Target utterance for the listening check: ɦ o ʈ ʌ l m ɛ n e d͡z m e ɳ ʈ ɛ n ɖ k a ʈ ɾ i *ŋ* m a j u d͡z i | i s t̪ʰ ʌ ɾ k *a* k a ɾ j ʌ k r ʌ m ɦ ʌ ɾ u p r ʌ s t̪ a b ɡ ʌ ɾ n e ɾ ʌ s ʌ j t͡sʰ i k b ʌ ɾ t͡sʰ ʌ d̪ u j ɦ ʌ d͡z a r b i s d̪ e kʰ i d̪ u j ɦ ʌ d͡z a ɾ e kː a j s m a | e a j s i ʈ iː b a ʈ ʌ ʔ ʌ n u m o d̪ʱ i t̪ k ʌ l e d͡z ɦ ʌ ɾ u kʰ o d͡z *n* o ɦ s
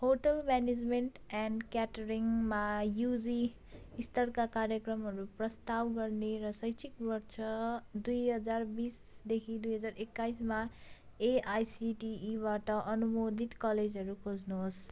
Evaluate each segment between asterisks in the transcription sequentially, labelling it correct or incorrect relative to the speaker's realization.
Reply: correct, correct, correct

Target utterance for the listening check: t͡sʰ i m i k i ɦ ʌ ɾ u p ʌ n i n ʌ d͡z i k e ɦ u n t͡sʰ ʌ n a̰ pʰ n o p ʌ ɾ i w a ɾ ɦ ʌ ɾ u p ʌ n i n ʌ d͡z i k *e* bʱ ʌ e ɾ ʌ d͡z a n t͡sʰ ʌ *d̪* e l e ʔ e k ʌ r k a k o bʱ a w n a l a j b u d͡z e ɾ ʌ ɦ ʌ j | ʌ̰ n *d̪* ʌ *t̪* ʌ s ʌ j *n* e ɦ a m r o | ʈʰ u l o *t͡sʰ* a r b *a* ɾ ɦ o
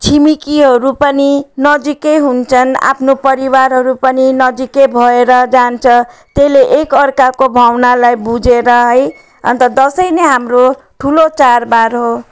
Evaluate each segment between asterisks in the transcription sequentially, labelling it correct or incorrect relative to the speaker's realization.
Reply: correct, incorrect: t̪, incorrect: t̪, incorrect: d̪, correct, incorrect: t͡s, correct

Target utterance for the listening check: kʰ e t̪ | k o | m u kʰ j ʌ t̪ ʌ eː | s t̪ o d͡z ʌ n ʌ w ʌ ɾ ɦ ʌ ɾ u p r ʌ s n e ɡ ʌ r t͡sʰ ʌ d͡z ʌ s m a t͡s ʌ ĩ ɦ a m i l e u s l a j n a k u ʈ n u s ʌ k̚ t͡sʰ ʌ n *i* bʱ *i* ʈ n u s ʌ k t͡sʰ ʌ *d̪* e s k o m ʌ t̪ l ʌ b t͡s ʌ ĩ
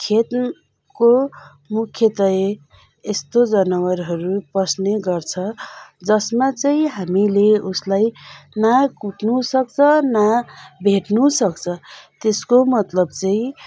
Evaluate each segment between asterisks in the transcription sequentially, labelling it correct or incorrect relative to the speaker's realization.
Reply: incorrect: a, incorrect: e, incorrect: t̪

